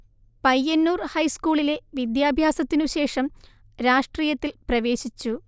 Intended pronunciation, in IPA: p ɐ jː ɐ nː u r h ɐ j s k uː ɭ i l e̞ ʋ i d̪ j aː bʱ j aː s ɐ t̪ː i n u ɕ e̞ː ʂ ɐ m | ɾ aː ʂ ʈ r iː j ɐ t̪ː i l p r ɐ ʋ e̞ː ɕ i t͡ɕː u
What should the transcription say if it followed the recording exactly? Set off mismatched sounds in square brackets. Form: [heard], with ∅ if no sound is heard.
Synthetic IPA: p ɐ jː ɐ nː [uː] r h ɐ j s k uː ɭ i l e̞ ʋ i d̪ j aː bʱ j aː s ɐ t̪ː i n u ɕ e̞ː ʂ ɐ m | ɾ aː ʂ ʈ r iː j ɐ t̪ː i l p r ɐ ʋ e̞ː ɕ i t͡ɕː u